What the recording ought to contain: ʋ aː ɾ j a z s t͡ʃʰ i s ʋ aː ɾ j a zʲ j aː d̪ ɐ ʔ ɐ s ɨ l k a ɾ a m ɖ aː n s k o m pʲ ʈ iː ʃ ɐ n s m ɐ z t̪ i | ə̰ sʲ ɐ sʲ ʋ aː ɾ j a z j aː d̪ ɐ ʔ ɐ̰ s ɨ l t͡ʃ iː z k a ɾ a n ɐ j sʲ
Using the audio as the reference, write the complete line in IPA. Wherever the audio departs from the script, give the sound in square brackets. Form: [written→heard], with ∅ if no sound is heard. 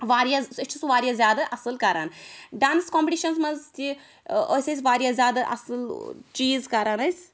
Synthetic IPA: ʋ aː ɾ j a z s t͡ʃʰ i s ʋ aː ɾ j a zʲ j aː d̪ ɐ ʔ ɐ s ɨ l k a ɾ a [m→n] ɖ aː n s k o m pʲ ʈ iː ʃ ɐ n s m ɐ z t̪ i | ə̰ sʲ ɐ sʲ ʋ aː ɾ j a z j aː d̪ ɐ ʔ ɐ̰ s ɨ l t͡ʃ iː z k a ɾ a n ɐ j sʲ